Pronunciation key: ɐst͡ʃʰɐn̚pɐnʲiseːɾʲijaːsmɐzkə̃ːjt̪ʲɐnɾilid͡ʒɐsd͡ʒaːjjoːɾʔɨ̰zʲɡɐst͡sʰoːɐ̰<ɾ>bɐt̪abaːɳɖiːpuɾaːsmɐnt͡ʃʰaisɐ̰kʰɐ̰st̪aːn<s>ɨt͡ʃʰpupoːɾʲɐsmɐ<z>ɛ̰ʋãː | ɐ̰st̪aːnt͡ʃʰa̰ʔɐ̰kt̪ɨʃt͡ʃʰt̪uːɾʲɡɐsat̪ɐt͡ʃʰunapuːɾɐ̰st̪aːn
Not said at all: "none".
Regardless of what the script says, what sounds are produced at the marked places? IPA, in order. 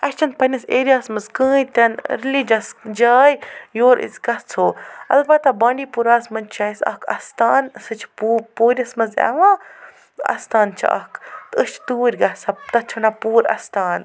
l, s, z

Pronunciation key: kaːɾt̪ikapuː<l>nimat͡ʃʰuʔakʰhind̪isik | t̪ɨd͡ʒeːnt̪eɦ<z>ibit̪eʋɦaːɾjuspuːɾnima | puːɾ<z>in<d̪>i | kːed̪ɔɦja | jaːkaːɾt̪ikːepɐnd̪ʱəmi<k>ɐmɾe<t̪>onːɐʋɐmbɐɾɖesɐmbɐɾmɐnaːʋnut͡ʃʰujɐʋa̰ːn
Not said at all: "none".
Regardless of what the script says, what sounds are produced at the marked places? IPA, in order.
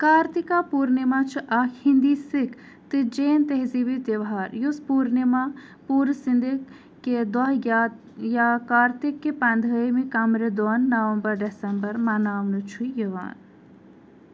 ɾ, z, s, d̪, k, d̪

